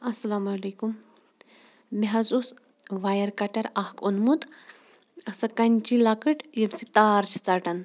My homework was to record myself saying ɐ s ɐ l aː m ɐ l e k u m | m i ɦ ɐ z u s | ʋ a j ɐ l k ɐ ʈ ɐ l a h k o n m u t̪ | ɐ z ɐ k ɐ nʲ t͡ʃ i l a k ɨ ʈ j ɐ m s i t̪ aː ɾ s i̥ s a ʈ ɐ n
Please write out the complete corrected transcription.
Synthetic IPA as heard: ɐ s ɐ l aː m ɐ l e k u m | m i ɦ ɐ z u s | ʋ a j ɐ ɾ k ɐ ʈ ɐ ɾ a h k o n m u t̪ | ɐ s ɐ k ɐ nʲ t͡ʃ i l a k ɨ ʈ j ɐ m s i t̪ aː ɾ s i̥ t͡s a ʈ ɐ n